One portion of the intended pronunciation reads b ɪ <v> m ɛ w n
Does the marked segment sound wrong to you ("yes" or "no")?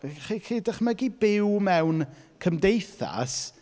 yes